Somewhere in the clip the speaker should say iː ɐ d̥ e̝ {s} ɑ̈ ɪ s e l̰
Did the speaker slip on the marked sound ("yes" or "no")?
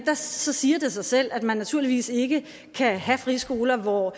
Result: no